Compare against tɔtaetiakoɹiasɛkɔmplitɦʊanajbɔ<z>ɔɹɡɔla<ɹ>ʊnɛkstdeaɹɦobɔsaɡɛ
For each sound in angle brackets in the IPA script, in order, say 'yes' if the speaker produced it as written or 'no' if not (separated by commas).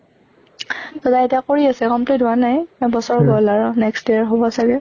no, yes